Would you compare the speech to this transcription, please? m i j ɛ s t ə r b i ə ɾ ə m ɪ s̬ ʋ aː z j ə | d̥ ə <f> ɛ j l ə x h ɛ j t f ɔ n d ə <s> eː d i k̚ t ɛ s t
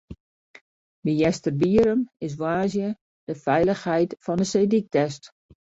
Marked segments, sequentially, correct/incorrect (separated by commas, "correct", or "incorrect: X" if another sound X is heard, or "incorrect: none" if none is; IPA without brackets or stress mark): correct, correct